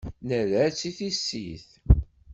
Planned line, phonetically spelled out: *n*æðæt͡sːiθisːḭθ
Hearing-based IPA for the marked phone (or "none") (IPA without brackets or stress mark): n